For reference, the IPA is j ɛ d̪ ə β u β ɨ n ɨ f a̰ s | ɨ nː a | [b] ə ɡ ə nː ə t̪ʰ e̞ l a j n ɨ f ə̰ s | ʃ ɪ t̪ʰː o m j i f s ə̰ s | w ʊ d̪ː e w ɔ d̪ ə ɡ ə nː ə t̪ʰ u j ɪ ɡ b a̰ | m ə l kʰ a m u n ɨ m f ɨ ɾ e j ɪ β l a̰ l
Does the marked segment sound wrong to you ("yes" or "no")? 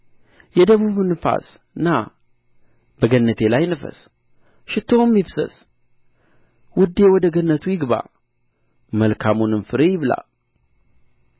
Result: no